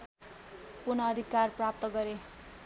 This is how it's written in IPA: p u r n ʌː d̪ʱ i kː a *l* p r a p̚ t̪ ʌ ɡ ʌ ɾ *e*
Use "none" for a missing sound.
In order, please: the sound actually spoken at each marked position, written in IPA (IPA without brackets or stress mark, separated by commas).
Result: r, e